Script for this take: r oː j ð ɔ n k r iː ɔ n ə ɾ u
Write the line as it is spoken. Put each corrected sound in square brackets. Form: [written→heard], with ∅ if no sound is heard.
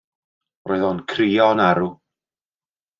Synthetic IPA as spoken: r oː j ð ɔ n [k→kʰ] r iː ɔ n [ə→a] ɾ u